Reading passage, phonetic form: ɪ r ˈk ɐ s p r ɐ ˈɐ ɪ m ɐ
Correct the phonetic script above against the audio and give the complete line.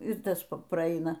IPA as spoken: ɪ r ˈt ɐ s p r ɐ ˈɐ ɪ n ɐ